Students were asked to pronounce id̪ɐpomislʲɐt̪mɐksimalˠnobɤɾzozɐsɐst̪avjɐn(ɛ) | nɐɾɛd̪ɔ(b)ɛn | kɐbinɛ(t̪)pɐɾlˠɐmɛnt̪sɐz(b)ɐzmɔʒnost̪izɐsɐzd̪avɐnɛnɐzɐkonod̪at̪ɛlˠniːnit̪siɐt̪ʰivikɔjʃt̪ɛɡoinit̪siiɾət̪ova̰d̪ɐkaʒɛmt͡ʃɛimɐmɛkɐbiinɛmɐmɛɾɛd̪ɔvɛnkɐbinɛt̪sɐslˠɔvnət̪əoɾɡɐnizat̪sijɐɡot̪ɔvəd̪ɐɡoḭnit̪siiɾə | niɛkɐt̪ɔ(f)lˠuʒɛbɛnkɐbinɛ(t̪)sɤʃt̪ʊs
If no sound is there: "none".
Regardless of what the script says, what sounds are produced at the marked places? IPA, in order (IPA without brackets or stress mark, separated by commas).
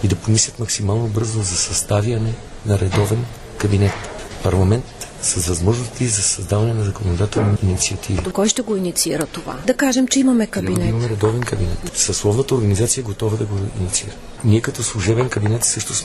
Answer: ɛ, v, t̪, v, s, t̪